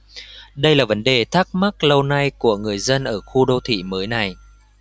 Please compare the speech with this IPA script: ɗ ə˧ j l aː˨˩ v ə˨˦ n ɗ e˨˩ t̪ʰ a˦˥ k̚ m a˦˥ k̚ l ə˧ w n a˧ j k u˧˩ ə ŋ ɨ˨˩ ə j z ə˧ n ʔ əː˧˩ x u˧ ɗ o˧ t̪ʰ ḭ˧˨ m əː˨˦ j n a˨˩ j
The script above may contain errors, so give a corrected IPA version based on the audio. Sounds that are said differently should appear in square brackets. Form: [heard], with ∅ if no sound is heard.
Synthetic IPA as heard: ɗ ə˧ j l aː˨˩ v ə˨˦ n ɗ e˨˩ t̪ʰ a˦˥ k̚ m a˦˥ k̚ l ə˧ w n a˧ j k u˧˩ ə ŋ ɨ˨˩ ə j z ə˧ n ʔ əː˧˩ x u˧ ɗ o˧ t̪ʰ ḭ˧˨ m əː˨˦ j n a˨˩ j